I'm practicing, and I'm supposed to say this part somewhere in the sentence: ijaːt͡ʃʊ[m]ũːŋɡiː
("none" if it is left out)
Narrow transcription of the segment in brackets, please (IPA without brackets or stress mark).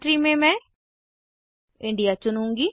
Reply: n